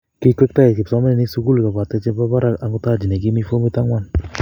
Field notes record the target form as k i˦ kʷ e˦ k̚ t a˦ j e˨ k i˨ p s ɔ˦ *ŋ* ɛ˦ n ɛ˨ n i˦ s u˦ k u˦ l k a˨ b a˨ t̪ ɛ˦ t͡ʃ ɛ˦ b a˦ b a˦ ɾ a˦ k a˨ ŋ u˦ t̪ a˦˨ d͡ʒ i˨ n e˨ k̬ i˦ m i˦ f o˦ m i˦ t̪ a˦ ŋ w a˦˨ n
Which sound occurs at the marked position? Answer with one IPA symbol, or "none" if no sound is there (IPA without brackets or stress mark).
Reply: m